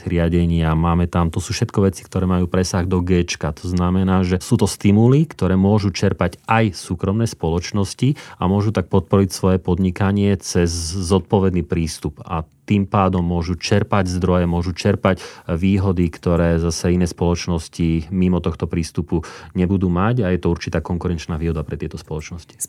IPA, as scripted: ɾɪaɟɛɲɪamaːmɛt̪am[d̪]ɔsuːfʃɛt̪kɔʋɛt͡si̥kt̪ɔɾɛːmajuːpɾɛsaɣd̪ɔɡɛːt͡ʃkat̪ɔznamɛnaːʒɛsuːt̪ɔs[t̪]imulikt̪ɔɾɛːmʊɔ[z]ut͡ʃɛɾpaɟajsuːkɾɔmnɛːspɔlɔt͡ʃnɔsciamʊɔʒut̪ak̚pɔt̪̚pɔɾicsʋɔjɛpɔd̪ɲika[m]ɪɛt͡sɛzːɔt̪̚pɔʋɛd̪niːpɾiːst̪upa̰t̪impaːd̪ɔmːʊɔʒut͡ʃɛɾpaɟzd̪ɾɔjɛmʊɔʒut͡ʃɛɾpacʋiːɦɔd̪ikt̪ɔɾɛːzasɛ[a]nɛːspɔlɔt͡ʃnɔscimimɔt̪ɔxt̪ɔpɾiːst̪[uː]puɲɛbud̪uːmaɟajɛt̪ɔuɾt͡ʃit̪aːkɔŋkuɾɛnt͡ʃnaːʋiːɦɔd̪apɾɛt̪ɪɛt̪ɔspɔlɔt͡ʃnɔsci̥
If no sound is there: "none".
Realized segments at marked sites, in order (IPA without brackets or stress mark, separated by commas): t̪, t̪, ʒ, ɲ, i, u